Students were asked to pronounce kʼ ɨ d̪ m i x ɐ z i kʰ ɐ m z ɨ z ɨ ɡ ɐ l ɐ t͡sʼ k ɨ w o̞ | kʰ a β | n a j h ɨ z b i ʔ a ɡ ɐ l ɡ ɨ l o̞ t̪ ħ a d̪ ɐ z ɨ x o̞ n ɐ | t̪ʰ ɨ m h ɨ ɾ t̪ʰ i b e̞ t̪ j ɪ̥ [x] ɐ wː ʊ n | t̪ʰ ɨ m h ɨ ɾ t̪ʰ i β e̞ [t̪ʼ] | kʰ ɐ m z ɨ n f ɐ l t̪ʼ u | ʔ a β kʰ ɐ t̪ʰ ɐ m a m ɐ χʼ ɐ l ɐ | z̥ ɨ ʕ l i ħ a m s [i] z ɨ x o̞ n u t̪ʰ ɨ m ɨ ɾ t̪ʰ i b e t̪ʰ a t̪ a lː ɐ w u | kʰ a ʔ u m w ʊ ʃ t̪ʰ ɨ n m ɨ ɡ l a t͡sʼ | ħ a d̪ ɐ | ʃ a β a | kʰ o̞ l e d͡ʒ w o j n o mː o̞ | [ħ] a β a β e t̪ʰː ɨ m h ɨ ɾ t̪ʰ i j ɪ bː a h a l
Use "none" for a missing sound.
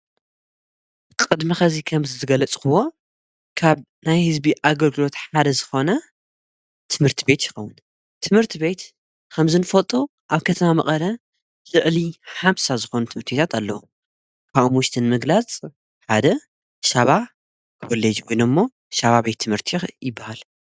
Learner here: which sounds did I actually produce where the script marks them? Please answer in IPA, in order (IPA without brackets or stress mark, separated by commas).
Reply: x, t̪, a, ʃ